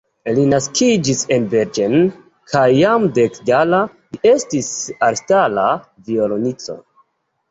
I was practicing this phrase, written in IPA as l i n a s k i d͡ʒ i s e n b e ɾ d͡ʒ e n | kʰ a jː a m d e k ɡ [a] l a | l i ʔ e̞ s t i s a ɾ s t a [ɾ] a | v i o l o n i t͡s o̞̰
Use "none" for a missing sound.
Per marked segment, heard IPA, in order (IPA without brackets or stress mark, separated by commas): a, l